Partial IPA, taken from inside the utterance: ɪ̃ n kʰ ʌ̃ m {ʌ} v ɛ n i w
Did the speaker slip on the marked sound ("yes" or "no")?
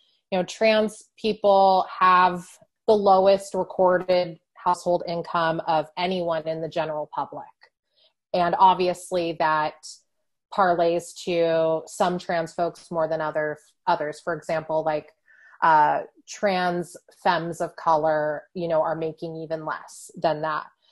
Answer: no